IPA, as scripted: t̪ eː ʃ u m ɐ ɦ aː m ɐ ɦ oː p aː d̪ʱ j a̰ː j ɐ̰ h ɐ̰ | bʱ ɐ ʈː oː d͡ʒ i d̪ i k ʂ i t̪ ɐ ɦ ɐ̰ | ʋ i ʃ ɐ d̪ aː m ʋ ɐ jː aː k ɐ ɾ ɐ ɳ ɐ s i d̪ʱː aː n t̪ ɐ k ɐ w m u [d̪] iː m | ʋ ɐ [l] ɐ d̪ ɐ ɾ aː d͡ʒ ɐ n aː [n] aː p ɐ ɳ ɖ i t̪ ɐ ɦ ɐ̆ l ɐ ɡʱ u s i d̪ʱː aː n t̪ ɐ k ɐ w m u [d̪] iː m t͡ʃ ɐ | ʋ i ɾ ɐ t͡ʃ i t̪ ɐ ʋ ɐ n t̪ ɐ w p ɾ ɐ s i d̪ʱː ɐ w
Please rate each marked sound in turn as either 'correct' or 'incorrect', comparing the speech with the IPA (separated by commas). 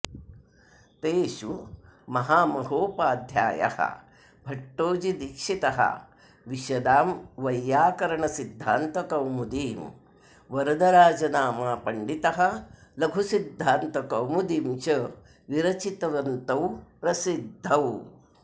correct, incorrect, incorrect, correct